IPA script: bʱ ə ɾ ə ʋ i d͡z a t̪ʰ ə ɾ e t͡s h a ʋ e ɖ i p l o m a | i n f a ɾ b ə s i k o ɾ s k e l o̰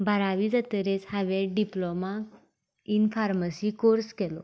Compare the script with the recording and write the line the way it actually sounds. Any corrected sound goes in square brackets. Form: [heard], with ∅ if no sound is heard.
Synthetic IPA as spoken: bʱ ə ɾ [a] ʋ i d͡z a [t̪] ə ɾ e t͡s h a ʋ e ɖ i p l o m a | i n f a ɾ [m] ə s i k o ɾ s k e l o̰